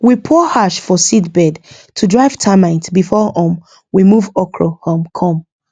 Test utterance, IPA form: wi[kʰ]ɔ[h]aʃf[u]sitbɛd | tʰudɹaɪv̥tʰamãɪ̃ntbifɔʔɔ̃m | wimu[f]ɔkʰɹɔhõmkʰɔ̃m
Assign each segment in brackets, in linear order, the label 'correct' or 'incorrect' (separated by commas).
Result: incorrect, correct, incorrect, incorrect